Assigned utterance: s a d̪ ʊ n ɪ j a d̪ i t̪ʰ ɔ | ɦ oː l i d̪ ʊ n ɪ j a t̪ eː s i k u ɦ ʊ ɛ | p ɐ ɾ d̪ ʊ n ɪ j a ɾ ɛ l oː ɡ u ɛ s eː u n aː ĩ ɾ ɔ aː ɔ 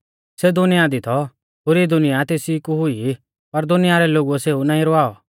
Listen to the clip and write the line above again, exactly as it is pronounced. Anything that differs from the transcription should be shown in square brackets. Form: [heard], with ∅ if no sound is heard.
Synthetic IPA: s [e] d̪ ʊ n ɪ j a d̪ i t̪ʰ ɔ | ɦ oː [ɾ] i d̪ ʊ n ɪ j a t̪ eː s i k u ɦ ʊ [i] | p ɐ ɾ d̪ ʊ n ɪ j a ɾ ɛ l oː ɡ u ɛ s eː u n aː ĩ ɾ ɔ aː ɔ